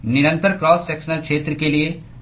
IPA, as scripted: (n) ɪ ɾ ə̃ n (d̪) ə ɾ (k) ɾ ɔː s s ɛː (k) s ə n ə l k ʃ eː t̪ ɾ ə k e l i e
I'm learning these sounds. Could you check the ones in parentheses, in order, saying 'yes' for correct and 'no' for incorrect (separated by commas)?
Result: yes, no, yes, yes